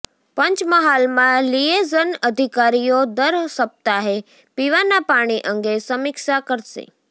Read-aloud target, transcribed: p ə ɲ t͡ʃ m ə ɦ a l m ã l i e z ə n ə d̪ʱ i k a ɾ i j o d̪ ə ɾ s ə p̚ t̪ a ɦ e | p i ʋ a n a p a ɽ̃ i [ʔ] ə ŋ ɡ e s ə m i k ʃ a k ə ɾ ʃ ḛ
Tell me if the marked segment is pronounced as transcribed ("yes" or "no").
yes